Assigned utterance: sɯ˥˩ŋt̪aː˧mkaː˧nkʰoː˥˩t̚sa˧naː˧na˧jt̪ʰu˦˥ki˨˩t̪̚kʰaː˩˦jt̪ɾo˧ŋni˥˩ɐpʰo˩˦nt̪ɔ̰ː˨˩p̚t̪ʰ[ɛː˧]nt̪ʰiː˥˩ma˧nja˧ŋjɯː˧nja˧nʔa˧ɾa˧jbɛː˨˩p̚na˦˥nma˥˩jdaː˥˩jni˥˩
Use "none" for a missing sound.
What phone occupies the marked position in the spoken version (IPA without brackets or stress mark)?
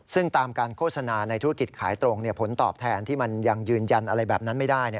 ɛː˧